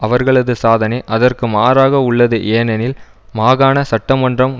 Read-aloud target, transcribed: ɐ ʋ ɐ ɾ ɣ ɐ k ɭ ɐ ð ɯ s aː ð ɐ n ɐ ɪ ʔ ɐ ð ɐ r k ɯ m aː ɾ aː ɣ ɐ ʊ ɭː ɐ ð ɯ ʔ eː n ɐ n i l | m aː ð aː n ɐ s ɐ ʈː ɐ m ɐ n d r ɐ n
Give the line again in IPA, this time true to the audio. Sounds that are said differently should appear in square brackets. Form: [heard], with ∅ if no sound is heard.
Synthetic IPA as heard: ɐ ʋ ɐ ɾ ɣ ɐ [∅] ɭ ɐ ð ɯ s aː ð ɐ n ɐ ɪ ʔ ɐ ð ɐ r k ɯ m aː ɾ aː ɣ ɐ ʊ ɭː ɐ ð ɯ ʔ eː n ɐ n [ɪ] l | m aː [ɣ] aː n ɐ s ɐ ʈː ɐ m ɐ n d r ɐ [m]

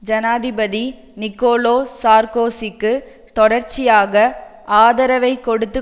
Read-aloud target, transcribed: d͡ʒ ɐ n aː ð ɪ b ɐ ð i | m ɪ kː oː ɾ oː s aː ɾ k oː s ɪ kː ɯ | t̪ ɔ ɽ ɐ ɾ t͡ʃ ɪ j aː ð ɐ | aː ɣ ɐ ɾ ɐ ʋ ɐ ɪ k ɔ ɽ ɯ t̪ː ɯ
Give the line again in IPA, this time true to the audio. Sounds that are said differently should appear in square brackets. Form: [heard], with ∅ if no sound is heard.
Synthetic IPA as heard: d͡ʒ ɐ n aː ð ɪ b ɐ ð i | [n] ɪ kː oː [l] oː s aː ɾ k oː s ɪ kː ɯ | t̪ ɔ ɽ ɐ ɾ t͡ʃ ɪ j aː [ɣ] ɐ | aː [ð] ɐ ɾ ɐ ʋ ɐ ɪ k ɔ ɽ ɯ t̪ː ɯ

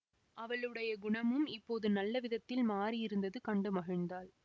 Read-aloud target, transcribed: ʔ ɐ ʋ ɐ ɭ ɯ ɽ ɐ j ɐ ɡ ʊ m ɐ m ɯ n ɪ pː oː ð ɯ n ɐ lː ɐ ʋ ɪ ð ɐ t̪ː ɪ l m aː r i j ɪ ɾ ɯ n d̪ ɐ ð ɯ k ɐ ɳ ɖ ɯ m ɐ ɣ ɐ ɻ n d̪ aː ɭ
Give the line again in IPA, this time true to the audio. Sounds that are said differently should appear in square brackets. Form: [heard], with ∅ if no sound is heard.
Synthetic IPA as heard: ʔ ɐ ʋ ɐ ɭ ɯ ɽ ɐ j ɐ ɡ ʊ [ɳ] ɐ m ɯ [m] ɪ pː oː ð ɯ n ɐ lː ɐ ʋ ɪ ð ɐ t̪ː ɪ l m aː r i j ɪ ɾ ɯ n d̪ ɐ ð ɯ k ɐ ɳ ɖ ɯ m ɐ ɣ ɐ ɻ n d̪ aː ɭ

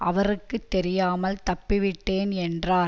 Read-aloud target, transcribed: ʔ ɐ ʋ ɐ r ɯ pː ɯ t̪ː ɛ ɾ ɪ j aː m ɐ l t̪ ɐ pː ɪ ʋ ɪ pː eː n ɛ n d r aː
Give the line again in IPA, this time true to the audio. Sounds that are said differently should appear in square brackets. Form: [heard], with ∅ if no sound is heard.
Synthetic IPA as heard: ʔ ɐ ʋ ɐ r ɯ [kː] ɯ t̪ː ɛ ɾ ɪ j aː m ɐ l t̪ ɐ pː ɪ ʋ ɪ [ʈː] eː n ɛ n d r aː

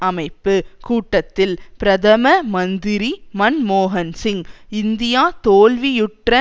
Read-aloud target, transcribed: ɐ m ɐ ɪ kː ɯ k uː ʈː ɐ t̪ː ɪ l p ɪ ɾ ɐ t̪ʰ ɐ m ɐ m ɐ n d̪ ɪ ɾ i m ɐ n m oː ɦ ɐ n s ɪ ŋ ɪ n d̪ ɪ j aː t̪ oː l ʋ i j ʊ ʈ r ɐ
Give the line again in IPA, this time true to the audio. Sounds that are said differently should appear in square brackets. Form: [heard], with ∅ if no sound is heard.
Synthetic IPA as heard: ɐ m ɐ ɪ [pː] ɯ k uː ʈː ɐ t̪ː ɪ l p ɪ ɾ ɐ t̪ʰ ɐ m ɐ m ɐ n d̪ ɪ ɾ i m ɐ n m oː ɦ ɐ n s ɪ ŋ ɪ n d̪ ɪ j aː t̪ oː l ʋ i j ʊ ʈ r ɐ

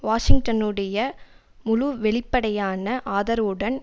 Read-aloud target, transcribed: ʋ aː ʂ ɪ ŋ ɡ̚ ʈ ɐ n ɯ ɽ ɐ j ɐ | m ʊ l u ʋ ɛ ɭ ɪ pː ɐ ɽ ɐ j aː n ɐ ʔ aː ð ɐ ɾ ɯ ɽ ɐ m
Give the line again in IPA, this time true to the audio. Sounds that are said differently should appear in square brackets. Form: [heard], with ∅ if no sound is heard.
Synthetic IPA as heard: ʋ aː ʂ ɪ ŋ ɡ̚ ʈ ɐ n ɯ ɽ ɐ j ɐ | m ʊ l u ʋ ɛ ɭ ɪ pː ɐ ɽ ɐ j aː n ɐ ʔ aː ð ɐ ɾ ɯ ɽ ɐ [n]

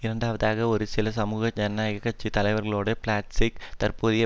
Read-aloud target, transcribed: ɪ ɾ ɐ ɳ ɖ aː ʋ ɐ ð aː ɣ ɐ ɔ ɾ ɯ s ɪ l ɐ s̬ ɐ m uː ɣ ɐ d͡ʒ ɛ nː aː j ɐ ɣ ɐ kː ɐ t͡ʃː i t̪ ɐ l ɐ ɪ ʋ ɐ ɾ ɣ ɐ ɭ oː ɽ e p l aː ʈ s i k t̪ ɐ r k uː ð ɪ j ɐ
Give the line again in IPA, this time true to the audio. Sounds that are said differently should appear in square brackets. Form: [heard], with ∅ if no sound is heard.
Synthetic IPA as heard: ɪ ɾ ɐ ɳ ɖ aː ʋ ɐ ð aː ɣ ɐ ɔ ɾ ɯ s ɪ l ɐ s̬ ɐ m uː ɣ ɐ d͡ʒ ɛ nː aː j ɐ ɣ ɐ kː ɐ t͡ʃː i t̪ ɐ l ɐ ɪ ʋ ɐ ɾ ɣ ɐ ɭ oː ɽ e p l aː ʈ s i k t̪ ɐ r [p] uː ð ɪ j ɐ

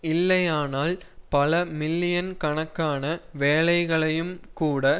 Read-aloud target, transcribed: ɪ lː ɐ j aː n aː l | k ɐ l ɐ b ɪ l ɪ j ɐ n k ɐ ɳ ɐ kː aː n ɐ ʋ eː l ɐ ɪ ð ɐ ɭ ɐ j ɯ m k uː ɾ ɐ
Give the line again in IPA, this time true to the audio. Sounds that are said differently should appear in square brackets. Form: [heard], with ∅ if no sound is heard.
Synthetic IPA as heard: ɪ lː ɐ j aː n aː l | [p] ɐ l ɐ [m] ɪ [lː] ɪ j ɐ n k ɐ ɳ ɐ kː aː n ɐ ʋ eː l ɐ ɪ [ɣ] ɐ ɭ ɐ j ɯ m k uː [ɽ] ɐ

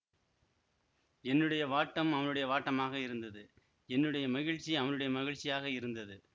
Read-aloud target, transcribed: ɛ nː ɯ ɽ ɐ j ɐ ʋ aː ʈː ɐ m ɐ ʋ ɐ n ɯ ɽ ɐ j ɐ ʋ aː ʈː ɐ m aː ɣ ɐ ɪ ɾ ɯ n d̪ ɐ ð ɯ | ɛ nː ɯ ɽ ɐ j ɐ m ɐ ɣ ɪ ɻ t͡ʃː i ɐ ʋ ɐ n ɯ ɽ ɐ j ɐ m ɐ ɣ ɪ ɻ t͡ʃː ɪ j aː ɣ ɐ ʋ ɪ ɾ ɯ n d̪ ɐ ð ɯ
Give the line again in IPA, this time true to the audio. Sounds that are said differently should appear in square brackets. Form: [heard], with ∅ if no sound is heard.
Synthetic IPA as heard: ɛ nː ɯ ɽ ɐ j ɐ ʋ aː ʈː ɐ m ɐ ʋ ɐ n ɯ ɽ ɐ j ɐ ʋ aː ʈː ɐ m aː ɣ ɐ ɪ ɾ ɯ n d̪ ɐ ð ɯ | ɛ nː ɯ ɽ ɐ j ɐ m ɐ ɣ ɪ ɻ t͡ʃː i ɐ ʋ ɐ n ɯ ɽ ɐ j ɐ m ɐ ɣ ɪ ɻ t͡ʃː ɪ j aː ɣ ɐ [∅] ɪ ɾ ɯ n d̪ ɐ ð ɯ

